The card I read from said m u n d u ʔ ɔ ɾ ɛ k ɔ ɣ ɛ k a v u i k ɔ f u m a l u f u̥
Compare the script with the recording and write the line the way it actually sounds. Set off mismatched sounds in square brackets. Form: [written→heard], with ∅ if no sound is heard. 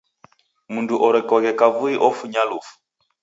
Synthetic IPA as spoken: m u n d u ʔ ɔ ɾ ɛ k ɔ ɣ ɛ k a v u i [k→ʔ] ɔ f u [m→ɲ] a l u f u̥